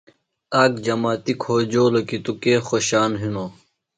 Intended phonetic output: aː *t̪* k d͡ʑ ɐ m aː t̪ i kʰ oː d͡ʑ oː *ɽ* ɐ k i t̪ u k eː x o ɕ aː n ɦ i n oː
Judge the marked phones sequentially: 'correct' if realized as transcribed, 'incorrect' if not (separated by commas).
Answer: incorrect, incorrect